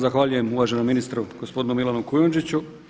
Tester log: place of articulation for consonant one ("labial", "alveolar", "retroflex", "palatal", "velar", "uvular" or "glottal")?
alveolar